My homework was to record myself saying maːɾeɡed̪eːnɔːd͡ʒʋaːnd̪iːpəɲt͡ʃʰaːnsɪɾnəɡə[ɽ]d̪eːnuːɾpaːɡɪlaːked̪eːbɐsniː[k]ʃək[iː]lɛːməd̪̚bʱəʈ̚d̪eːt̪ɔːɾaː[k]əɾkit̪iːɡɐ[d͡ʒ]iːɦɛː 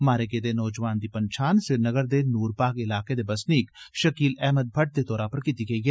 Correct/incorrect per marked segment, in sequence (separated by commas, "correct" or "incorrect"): incorrect, correct, correct, incorrect, incorrect